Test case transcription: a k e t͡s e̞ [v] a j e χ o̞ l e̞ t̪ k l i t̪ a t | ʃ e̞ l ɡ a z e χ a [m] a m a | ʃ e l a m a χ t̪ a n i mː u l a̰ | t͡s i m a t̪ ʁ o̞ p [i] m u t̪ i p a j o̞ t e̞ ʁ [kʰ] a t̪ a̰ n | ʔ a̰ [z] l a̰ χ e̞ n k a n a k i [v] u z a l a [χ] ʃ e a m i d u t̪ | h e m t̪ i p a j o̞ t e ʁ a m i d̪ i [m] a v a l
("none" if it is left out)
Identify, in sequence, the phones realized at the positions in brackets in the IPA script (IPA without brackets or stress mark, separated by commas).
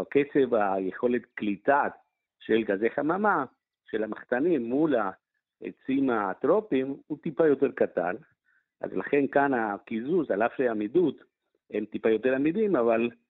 v, m, i, k, z, z, f, m